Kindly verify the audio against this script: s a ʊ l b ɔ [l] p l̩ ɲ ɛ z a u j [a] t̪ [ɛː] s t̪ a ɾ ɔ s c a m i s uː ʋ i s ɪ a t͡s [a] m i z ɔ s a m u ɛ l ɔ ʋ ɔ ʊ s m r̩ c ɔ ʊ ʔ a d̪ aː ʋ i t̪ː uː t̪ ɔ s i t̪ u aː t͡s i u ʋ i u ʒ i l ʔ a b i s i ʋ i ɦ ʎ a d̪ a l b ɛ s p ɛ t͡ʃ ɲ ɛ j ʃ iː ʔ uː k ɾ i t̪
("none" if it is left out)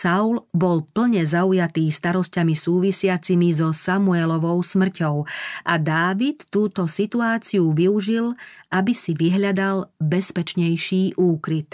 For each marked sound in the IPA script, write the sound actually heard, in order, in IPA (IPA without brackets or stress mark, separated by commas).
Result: l, a, iː, i